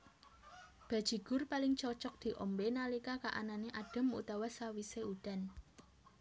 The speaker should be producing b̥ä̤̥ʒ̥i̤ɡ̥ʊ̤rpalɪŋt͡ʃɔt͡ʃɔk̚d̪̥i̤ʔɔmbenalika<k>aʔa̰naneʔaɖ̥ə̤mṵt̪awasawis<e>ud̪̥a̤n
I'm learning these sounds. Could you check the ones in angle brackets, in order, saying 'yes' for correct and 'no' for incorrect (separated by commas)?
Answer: yes, yes